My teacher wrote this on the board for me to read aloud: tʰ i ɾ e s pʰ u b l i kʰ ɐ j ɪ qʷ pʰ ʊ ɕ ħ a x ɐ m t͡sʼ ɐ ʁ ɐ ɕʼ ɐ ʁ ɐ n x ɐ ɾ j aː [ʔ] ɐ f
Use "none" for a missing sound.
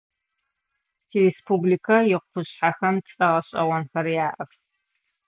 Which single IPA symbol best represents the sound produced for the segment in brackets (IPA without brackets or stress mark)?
ʔ